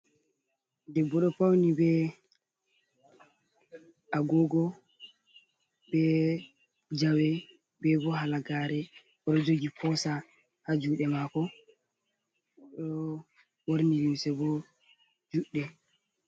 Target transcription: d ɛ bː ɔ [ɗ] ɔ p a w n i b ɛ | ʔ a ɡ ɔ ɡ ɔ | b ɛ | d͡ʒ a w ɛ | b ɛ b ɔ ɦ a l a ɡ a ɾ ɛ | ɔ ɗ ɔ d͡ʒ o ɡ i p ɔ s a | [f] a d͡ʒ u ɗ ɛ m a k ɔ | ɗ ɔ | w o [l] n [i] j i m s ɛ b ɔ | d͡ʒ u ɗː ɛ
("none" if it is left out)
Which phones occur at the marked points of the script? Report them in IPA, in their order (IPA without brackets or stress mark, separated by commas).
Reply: ɗ, h, ɾ, i